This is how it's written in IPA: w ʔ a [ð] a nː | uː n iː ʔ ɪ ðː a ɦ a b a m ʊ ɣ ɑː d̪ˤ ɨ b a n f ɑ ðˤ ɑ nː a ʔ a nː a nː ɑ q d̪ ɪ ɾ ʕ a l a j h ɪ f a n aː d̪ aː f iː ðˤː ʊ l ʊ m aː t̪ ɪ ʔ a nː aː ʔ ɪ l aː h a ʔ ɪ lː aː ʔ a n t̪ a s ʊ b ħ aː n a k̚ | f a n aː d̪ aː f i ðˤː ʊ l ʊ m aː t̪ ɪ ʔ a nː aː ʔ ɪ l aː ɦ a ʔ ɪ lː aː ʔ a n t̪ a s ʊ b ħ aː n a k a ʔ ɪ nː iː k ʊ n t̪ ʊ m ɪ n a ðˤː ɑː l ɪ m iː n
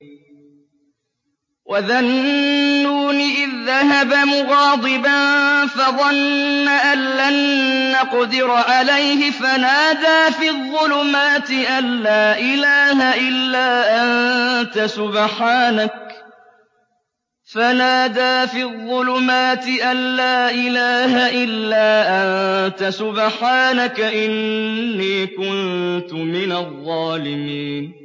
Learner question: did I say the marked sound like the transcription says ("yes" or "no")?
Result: yes